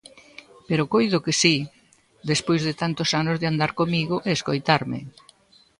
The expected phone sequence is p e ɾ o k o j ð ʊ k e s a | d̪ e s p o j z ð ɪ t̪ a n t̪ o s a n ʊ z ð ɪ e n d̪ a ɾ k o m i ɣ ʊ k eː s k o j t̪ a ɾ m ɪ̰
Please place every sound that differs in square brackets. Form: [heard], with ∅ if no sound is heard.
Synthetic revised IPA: p e ɾ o k o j ð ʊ k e s [i] | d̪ e s p o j z ð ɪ t̪ a n t̪ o s a n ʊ z ð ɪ [a] n d̪ a ɾ k o m i ɣ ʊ [ʔ] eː s k o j t̪ a ɾ m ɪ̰